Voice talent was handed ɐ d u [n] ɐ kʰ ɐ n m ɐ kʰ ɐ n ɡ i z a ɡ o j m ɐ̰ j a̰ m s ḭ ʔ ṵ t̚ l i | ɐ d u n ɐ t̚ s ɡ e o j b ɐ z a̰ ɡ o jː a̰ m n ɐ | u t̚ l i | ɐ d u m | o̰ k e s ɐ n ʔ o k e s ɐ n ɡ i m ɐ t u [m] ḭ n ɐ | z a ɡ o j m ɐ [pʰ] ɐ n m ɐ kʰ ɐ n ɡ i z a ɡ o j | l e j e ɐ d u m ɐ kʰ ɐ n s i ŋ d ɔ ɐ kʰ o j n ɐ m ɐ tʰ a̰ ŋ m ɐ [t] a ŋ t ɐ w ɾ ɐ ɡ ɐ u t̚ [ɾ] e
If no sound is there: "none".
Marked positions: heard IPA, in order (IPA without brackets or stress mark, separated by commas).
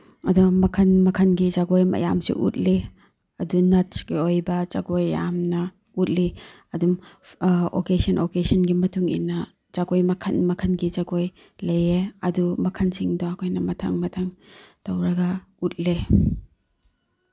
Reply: m, ŋ, kʰ, tʰ, l